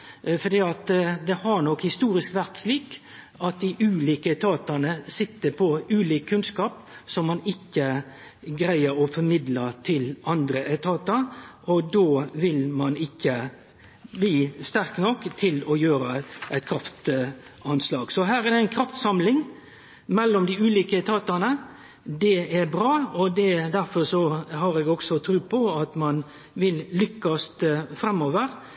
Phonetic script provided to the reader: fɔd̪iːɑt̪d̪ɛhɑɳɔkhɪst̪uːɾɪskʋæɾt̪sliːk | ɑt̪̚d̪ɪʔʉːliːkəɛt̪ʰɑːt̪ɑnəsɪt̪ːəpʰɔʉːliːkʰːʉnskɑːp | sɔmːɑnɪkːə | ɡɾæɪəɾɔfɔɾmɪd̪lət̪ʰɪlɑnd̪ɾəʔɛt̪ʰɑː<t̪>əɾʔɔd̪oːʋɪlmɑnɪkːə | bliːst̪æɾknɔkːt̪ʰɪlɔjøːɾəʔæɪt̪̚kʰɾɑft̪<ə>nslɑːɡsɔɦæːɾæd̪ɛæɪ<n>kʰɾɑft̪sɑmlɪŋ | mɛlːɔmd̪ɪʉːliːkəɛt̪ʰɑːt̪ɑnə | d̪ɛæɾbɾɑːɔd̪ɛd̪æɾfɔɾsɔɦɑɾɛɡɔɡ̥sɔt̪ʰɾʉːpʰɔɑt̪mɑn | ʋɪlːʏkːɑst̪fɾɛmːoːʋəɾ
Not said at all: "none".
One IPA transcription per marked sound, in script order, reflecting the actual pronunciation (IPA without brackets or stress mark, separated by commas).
t̪, ɑ, n